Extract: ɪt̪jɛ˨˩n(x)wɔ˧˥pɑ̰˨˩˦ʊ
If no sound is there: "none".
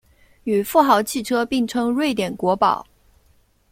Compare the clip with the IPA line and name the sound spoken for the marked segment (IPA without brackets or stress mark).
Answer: k